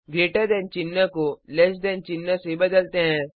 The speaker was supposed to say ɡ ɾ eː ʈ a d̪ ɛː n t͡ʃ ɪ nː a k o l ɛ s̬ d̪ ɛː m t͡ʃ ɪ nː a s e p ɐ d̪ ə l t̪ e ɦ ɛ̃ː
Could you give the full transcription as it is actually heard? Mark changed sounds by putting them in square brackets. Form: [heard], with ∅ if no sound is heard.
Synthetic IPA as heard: ɡ ɾ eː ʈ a d̪ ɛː n t͡ʃ ɪ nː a k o l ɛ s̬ d̪ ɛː [n] t͡ʃ ɪ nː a s e [b] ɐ d̪ ə l t̪ e ɦ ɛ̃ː